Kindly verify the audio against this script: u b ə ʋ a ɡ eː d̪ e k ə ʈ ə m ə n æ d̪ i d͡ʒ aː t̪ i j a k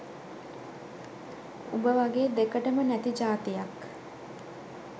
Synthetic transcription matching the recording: u b ə ʋ a ɡ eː d̪ e k ə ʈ ə m ə n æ t̪ i d͡ʒ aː t̪ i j a k

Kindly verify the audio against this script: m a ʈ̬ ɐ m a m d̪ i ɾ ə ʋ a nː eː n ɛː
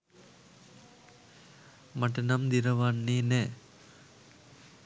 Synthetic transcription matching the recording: m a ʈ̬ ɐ n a m d̪ i ɾ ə ʋ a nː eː n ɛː

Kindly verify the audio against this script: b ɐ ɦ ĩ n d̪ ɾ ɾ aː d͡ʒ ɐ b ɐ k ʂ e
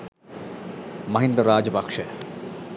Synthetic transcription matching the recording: m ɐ ɦ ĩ n d̪ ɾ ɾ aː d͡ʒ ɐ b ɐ k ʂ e

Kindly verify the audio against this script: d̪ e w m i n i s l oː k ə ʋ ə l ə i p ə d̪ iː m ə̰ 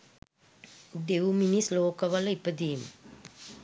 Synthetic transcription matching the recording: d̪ e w m i n i s l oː k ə ʋ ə l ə i p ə d̪ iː m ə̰

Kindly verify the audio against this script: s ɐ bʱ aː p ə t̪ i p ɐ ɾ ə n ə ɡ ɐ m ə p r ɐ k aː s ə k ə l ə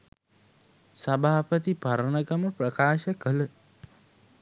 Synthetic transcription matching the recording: s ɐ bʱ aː p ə t̪ i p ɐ ɾ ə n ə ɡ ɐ m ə p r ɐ k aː ʃ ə k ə l ə

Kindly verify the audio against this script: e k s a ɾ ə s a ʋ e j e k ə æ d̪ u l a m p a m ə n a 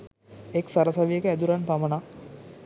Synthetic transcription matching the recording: e k s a ɾ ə s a ʋ i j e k ə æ d̪ u ɾ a n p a m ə n a

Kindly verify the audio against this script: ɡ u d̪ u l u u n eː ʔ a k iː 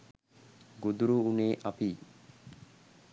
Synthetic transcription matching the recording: ɡ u d̪ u ɾ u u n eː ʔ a p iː

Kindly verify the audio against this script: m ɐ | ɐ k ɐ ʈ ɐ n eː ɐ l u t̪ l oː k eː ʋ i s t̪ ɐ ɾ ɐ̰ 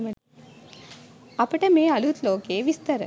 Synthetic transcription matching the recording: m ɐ | ɐ p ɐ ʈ ɐ m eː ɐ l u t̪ l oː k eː ʋ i s t̪ ɐ ɾ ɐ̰

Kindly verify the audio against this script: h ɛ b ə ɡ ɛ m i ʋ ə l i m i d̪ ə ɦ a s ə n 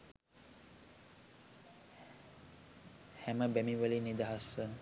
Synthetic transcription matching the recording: h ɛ m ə b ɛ m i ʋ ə l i n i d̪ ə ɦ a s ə n

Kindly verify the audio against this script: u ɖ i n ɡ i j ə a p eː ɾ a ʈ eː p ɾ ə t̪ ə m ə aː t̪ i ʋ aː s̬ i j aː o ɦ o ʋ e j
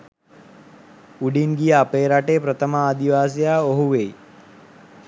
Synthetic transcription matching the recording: u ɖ i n ɡ i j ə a p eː ɾ a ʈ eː p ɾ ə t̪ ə m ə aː d̪ i ʋ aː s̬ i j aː o ɦ u ʋ e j

